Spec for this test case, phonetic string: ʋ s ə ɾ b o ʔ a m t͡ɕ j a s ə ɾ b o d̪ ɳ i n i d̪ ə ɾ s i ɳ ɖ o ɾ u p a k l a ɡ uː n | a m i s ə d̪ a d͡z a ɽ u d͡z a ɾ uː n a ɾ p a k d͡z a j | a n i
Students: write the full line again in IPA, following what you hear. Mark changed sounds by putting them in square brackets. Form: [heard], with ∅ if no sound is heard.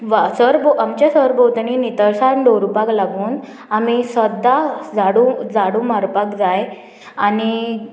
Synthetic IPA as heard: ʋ s ə ɾ b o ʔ a m t͡ɕ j a s ə ɾ b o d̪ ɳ i n i [t̪] ə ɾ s [a] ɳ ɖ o ɾ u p a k l a ɡ uː n | a m i s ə d̪ a d͡z a ɽ u d͡z a [ɽ] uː [m] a ɾ p a k d͡z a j | a n i

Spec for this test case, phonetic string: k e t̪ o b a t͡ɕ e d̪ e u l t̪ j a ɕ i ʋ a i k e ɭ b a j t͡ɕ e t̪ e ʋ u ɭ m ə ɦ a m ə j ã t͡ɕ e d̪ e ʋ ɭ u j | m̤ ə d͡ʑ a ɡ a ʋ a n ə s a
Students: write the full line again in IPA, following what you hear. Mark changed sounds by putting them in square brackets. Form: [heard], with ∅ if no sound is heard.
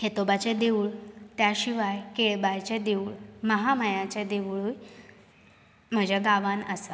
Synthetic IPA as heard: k e t̪ o b a t͡ɕ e d̪ e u [ɭ] t̪ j a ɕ i ʋ a [j] k e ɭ b a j t͡ɕ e [d̪] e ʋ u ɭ m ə ɦ a m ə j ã t͡ɕ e d̪ e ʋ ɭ u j | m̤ ə d͡ʑ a ɡ a ʋ a n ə s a

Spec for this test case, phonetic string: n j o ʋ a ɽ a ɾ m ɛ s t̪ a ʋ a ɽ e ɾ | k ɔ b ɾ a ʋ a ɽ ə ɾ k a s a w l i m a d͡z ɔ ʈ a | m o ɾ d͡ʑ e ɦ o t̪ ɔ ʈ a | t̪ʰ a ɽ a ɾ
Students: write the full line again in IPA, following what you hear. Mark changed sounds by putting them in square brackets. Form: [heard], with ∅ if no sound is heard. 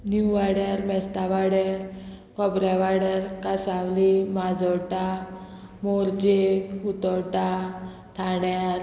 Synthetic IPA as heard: n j [u] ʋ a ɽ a ɾ m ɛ s t̪ a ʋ a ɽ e ɾ | k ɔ b ɾ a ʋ a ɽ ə ɾ k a s a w l i m a d͡z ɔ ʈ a | m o ɾ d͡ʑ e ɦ [u] t̪ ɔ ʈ a | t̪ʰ a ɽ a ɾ

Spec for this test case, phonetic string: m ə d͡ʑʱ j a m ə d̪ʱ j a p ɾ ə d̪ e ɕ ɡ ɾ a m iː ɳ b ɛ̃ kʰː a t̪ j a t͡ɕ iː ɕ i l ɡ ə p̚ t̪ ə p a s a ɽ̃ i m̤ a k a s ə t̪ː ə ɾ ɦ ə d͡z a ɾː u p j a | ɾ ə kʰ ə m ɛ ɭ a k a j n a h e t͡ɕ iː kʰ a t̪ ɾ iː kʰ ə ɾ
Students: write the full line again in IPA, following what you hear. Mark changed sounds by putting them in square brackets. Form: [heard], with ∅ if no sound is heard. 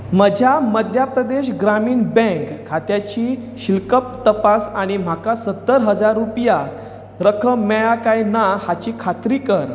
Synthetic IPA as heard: m ə d͡ʑʱ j a m ə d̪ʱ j a p ɾ ə d̪ e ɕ ɡ ɾ a m iː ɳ b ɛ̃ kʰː a t̪ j a t͡ɕ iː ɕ i l [k] ə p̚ t̪ ə p a s a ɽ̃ i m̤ a k a s ə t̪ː ə ɾ ɦ ə d͡z a ɾː u p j a | ɾ ə kʰ ə m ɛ ɭ a k a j n a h [a] t͡ɕ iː kʰ a t̪ ɾ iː [k] ə ɾ

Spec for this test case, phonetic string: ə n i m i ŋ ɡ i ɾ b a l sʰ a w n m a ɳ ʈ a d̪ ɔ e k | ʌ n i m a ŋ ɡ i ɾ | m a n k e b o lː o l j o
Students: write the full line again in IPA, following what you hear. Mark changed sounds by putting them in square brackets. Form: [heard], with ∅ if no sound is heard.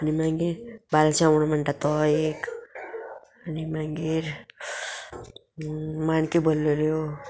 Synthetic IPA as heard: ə n i m [a] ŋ ɡ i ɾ b a l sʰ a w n m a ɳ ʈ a [t̪] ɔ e k | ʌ n i m a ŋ ɡ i ɾ | m a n k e b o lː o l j o

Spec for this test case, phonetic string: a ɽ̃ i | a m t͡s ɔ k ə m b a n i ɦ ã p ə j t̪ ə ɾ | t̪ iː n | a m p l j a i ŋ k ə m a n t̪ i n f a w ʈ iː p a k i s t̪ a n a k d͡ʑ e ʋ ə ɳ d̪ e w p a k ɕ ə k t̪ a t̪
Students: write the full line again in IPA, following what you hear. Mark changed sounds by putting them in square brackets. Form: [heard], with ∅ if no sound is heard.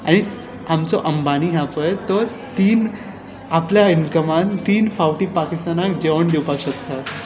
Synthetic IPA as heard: a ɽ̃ i | a m t͡s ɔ [ʔ] ə m b a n i ɦ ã p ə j t̪ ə ɾ | t̪ iː n | a [∅] p l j a i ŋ k ə m a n t̪ [iː] n f a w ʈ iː p a k i s t̪ a n a k d͡ʑ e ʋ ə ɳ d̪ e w p a k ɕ ə k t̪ a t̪

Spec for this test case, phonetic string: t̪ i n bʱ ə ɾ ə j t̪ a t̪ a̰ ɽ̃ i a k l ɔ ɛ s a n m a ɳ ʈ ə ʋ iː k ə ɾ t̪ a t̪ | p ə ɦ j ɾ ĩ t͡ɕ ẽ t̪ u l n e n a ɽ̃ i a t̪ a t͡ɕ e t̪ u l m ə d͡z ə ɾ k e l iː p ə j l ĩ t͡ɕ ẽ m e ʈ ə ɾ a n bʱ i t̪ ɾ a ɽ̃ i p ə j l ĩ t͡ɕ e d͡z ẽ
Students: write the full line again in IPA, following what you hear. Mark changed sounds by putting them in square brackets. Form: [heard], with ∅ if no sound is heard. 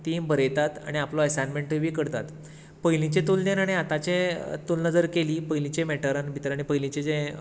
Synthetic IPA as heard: t̪ i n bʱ ə ɾ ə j t̪ a t̪ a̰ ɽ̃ i a [p] l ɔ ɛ s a n m [e] ɳ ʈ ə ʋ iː k ə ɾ t̪ a t̪ | p ə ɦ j [l] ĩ t͡ɕ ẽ t̪ u l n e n a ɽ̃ i a t̪ a t͡ɕ e t̪ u l [n] ə d͡z ə ɾ k e l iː p ə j l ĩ t͡ɕ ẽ m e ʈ ə ɾ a n bʱ i t̪ ɾ a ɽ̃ i p ə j l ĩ t͡ɕ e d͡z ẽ

